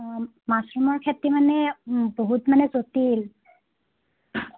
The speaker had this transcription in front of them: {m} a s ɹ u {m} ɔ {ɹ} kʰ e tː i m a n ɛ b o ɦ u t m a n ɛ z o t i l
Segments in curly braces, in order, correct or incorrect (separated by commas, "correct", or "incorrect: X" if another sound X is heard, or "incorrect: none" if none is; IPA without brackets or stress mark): correct, correct, correct